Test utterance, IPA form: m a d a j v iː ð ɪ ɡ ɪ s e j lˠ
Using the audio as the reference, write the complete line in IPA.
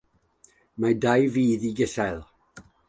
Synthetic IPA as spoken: m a d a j v iː ð i ɡ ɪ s a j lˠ

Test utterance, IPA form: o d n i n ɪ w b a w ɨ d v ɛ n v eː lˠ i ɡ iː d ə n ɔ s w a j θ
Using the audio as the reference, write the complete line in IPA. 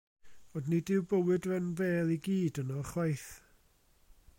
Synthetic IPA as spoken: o d n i d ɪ w b ə w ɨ d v ɛ n v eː lˠ i ɡ iː d ə n ɔ χ w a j θ

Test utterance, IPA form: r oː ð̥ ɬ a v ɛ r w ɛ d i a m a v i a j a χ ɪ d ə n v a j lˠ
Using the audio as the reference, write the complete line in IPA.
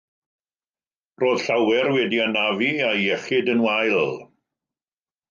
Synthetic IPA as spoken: r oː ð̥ ɬ a w ɛ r w ɛ d i a n a v i a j ɛ χ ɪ d ə n w a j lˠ

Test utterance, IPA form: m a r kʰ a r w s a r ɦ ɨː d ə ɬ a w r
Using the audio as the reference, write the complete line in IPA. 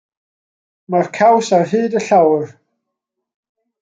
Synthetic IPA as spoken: m a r kʰ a w s a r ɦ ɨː d ə ɬ a w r

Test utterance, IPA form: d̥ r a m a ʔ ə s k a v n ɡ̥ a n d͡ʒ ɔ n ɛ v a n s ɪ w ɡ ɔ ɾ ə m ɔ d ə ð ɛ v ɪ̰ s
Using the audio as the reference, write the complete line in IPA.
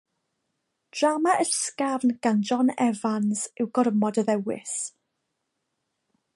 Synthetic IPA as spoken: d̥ r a m a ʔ ə s k a v n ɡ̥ a n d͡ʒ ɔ n ɛ v a n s ɪ w ɡ ɔ ɾ ə m ɔ d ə ð ɛ w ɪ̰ s

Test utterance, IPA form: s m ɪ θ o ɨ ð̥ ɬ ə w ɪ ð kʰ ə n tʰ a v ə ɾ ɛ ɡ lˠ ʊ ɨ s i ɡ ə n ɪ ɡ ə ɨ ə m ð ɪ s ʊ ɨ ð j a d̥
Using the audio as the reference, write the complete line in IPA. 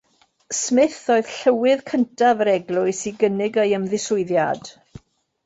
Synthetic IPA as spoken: s m ɪ θ o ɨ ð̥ ɬ ə w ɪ ð kʰ ə n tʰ a v ə ɾ ɛ ɡ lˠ ʊ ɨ s i ɡ ə n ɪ ɡ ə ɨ ə m ð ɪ s ʊ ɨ ð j a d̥

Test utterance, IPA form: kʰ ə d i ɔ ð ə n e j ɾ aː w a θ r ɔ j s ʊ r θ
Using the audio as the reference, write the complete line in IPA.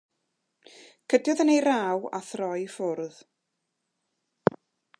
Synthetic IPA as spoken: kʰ ə d j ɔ ð ə n e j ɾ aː w a θ r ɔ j f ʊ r ð

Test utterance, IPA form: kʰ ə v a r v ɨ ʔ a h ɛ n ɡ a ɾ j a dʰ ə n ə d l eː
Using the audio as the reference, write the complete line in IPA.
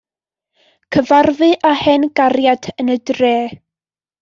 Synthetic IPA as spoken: kʰ ə v a r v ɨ ʔ a h ɛ n ɡ a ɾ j a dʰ ə n ə d r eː

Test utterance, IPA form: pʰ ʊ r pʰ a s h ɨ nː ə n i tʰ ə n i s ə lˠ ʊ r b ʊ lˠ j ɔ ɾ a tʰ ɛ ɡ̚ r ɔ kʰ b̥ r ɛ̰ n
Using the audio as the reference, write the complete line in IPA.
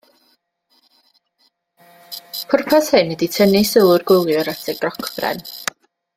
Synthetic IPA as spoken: pʰ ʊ r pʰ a s h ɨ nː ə d i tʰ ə n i s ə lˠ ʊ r ɡ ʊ lˠ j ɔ ɾ a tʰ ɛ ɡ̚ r ɔ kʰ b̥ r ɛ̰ n

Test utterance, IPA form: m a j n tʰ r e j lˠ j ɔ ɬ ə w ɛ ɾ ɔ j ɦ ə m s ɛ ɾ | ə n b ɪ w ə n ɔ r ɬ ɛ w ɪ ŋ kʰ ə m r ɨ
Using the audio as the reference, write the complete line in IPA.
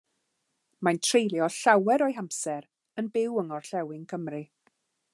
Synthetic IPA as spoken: m a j n tʰ r e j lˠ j ɔ ɬ a w ɛ ɾ ɔ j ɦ a m s ɛ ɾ | ə n b ɪ w ə ŋ ɔ r ɬ ɛ w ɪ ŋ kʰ ə m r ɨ

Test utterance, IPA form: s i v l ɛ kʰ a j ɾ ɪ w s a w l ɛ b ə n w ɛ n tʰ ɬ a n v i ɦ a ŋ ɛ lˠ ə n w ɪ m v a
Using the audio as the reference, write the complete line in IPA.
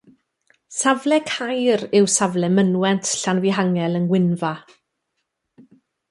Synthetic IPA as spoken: s a v l ɛ kʰ a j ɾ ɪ w s a v l ɛ m ə n w ɛ n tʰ ɬ a n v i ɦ a ŋ ɛ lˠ ə n w ɪ n v a

